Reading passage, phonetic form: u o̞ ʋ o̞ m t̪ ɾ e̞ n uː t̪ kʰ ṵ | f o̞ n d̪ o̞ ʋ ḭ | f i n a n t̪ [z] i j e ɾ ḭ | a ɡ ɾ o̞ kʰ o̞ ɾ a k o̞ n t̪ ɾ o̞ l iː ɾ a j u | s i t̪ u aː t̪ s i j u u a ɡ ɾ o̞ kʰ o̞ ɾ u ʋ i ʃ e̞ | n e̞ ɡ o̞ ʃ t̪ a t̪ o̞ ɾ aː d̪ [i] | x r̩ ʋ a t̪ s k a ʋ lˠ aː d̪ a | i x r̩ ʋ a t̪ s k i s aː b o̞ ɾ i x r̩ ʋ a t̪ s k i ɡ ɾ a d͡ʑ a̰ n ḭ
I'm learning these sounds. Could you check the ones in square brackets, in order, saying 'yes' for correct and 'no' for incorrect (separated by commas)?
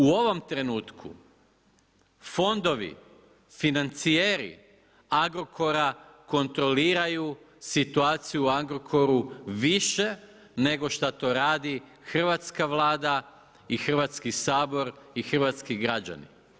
no, yes